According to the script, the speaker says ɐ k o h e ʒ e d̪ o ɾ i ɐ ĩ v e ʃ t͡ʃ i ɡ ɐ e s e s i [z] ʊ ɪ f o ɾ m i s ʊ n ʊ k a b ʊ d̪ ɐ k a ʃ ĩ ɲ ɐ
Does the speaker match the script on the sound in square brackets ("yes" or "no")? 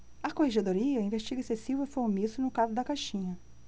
no